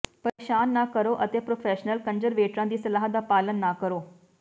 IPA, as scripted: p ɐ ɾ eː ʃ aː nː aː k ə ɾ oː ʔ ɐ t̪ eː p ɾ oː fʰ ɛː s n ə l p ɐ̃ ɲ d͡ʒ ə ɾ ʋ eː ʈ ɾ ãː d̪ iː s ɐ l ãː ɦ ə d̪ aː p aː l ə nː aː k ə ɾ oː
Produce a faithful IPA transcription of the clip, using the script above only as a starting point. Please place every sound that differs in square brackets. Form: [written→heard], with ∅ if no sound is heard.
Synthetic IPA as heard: p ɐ ɾ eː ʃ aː nː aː k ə ɾ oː ʔ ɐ t̪ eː p ɾ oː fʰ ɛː [s→ʃ] n ə l [p→k] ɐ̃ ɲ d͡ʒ ə ɾ ʋ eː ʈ ɾ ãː d̪ iː s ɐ l [ãː→aː] ɦ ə d̪ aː p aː l ə nː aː k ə ɾ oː